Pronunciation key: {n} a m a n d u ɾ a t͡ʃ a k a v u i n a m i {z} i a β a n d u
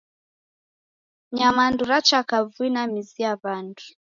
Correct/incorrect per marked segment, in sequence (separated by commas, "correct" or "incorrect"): incorrect, correct